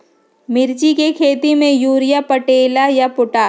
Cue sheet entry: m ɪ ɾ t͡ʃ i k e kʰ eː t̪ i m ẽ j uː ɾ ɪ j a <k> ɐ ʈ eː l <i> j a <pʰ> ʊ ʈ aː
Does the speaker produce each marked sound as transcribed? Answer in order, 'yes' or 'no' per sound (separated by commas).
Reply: no, no, no